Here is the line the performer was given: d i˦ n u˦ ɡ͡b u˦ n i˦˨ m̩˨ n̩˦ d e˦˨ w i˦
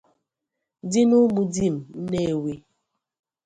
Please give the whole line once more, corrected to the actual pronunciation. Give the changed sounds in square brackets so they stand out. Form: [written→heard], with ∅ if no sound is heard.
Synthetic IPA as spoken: d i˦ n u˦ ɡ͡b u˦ [n→d] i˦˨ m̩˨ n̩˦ [d→n] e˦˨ w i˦